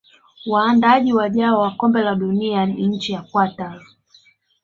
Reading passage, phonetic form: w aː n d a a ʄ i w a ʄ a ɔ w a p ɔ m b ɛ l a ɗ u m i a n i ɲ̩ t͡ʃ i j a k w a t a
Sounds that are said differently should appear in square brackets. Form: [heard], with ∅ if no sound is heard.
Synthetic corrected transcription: w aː n d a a ʄ i w a ʄ a ɔ w a [k] ɔ m b ɛ l a ɗ u [n] i a n i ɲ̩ t͡ʃ i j a k w a t a